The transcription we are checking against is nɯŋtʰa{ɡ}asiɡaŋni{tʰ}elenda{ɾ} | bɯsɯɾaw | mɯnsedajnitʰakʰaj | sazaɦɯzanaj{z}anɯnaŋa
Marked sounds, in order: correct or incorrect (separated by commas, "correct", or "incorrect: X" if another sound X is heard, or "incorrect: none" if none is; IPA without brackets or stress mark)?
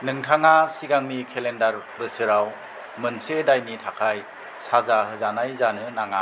incorrect: ŋ, incorrect: kʰ, correct, correct